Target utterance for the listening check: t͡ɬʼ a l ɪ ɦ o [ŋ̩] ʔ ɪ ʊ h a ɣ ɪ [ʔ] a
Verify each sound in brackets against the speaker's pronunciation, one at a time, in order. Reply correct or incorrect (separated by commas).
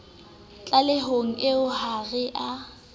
correct, correct